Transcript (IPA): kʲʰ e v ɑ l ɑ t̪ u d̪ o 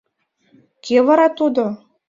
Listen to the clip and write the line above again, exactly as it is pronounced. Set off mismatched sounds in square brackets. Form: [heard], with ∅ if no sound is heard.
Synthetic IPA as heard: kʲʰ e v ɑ [ɾ] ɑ t̪ u d̪ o